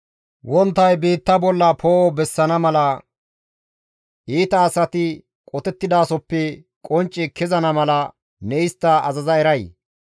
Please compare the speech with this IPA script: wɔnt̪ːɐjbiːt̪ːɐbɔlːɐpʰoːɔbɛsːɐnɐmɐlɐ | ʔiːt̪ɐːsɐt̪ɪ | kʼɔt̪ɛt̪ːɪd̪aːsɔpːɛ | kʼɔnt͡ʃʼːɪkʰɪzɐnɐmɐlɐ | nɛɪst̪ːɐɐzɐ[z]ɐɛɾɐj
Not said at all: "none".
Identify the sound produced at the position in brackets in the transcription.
z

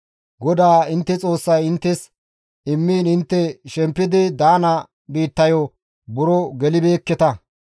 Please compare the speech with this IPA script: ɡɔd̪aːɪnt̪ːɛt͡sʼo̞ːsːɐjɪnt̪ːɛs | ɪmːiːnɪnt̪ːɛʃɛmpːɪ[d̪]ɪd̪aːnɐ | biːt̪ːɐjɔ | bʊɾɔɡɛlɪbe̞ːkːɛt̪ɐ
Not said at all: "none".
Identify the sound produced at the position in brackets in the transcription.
d̪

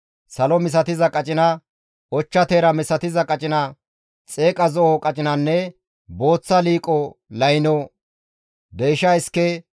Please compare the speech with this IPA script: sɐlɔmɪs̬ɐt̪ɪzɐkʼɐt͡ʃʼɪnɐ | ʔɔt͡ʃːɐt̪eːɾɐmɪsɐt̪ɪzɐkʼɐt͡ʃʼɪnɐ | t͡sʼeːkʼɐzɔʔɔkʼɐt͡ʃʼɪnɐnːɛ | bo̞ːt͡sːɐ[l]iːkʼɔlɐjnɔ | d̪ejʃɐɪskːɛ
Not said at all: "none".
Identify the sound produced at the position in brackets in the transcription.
l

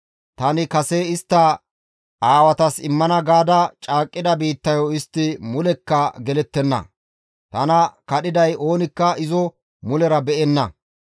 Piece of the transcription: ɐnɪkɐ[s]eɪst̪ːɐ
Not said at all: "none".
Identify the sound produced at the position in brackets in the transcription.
s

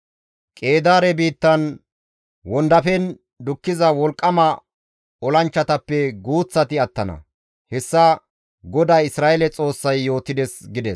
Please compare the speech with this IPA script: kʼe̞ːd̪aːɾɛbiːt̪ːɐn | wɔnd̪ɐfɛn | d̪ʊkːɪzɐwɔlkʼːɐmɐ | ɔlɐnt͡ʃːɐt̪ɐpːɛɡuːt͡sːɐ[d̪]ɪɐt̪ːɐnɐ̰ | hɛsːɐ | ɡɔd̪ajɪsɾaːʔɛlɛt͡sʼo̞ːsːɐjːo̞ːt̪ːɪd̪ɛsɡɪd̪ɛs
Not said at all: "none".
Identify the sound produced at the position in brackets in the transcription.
t̪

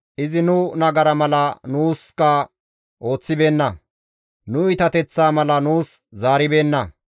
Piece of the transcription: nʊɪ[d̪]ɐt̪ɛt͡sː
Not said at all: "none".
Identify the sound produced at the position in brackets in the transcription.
t̪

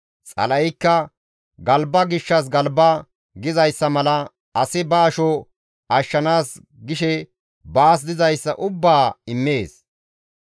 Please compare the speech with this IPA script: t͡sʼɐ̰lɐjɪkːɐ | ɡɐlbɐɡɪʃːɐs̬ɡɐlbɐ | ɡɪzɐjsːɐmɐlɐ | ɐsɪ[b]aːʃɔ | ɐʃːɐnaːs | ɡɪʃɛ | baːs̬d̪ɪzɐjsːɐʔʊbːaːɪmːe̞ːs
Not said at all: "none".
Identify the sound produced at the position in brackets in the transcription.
b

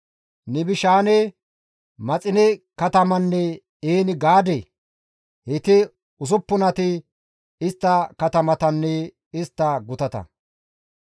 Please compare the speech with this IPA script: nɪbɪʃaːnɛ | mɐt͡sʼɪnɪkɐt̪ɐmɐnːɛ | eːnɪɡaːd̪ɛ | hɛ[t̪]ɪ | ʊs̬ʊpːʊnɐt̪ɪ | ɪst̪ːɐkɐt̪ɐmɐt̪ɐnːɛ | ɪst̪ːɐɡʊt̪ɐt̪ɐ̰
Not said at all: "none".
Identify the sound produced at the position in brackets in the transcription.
t̪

